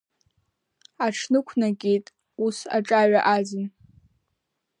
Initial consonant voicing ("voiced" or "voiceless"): voiceless